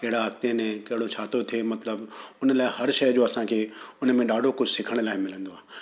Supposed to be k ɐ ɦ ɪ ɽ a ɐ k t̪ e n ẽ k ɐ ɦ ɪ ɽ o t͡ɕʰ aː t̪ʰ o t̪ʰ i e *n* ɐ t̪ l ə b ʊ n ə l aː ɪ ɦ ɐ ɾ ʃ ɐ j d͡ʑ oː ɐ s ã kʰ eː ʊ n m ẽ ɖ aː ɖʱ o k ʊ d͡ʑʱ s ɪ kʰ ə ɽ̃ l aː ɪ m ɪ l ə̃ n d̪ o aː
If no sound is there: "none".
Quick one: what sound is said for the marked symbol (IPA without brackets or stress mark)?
m